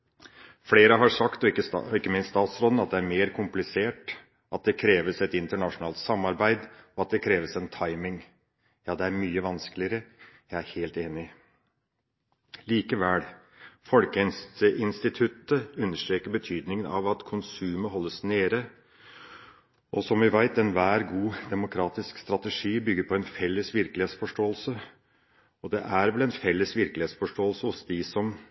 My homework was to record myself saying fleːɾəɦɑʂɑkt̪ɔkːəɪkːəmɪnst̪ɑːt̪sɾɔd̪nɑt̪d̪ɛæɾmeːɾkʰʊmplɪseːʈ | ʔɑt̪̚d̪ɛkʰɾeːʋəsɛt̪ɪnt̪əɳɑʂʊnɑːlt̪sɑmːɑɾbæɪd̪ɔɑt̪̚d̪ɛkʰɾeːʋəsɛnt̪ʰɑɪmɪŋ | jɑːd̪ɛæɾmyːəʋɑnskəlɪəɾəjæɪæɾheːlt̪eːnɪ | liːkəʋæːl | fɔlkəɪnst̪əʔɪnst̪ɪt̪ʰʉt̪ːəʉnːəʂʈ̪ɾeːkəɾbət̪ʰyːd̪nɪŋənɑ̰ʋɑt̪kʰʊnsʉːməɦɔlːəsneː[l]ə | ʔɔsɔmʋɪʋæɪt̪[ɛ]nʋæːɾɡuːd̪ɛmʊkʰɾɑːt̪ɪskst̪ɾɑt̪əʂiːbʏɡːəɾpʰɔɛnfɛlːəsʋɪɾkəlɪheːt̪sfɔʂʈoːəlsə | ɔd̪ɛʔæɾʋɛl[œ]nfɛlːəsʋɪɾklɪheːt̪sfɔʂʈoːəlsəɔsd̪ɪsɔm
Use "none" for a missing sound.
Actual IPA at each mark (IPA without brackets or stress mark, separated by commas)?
ɾ, ɛ, ɛ